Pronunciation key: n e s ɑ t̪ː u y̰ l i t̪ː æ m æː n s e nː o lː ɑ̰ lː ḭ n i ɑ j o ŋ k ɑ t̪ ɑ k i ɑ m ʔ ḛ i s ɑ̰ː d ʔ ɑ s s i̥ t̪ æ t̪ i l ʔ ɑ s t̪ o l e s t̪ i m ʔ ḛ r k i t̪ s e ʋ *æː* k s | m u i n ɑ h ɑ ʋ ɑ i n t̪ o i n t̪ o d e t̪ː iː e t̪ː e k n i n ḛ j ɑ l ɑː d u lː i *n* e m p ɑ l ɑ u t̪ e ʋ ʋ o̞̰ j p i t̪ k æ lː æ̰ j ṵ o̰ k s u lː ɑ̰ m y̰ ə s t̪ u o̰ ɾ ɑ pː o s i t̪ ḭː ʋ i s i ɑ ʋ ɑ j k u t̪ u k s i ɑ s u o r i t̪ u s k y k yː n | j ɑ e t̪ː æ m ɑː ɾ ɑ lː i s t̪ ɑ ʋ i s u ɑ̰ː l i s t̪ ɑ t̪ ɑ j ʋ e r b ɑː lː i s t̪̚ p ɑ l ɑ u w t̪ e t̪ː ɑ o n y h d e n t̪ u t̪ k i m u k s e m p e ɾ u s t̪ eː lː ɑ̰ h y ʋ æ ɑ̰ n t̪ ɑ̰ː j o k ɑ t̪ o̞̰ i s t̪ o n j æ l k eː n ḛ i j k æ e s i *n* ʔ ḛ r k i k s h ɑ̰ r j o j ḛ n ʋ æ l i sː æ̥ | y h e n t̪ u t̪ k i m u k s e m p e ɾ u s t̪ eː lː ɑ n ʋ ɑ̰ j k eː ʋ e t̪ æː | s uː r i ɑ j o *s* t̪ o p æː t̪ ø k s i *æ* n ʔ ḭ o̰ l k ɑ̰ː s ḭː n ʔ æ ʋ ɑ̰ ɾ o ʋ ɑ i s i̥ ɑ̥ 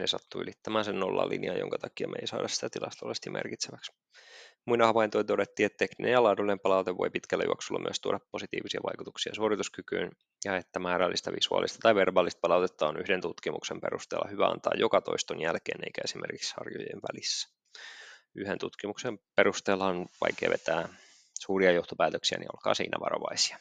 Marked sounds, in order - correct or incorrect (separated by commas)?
incorrect, correct, incorrect, incorrect, correct